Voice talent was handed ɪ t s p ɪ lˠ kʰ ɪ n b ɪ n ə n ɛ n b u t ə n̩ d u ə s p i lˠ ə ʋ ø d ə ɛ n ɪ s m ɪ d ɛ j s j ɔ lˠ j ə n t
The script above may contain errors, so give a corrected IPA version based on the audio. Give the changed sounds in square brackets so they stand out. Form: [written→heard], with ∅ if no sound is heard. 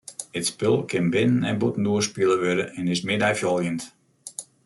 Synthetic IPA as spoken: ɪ t s p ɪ lˠ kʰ ɪ n b ɪ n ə n ɛ n b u t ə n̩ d u ə s p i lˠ ə ʋ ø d ə ɛ n ɪ s m ɪ d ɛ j [s→f] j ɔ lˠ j ə n t